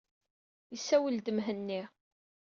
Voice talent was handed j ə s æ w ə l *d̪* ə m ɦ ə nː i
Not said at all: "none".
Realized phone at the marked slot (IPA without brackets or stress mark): d̪